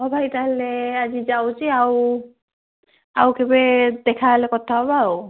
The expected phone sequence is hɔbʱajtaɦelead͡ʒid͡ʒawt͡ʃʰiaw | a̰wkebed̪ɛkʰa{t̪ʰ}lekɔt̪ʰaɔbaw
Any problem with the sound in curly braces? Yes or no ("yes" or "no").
yes